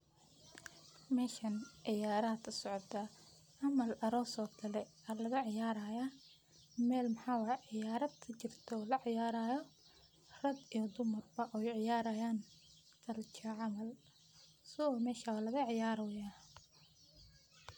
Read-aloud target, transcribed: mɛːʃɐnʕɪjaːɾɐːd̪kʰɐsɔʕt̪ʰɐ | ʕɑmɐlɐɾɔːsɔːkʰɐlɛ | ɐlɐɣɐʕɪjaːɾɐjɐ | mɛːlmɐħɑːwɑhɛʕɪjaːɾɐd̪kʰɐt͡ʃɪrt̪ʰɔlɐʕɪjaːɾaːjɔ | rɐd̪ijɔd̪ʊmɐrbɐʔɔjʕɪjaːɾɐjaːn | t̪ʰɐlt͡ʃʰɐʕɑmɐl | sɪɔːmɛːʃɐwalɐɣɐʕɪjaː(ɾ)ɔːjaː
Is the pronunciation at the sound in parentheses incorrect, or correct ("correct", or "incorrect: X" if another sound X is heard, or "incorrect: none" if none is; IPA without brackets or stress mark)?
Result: correct